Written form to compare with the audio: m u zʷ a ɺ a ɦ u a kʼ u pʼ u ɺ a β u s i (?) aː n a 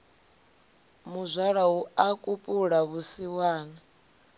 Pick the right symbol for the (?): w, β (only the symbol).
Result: w